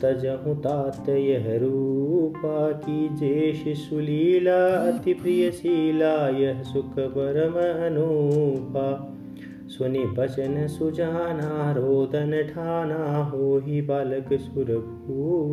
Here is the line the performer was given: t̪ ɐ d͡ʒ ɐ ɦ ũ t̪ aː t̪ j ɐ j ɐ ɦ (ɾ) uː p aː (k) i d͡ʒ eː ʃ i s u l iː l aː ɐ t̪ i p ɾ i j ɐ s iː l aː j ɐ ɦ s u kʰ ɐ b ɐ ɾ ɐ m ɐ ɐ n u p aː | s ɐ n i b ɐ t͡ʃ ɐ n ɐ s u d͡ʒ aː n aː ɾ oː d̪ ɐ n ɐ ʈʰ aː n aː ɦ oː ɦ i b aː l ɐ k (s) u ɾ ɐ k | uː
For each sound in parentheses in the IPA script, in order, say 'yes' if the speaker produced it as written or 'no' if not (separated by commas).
yes, yes, yes